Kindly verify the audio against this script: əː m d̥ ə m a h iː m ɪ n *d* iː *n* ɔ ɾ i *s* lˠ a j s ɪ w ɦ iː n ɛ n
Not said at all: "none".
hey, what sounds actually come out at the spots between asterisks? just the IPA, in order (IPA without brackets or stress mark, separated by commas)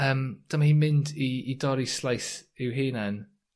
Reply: d, d, s